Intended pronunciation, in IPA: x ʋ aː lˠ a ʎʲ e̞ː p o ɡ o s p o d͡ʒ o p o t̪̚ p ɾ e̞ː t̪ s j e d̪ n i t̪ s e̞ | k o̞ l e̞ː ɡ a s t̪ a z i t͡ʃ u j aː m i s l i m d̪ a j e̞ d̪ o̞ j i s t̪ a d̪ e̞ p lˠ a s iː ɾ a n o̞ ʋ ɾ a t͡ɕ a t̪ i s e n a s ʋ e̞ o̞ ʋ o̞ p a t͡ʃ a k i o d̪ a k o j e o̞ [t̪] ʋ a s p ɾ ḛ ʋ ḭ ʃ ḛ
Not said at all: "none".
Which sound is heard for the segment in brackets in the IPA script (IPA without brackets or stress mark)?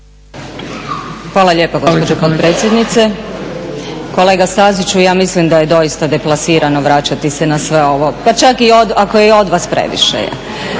d̪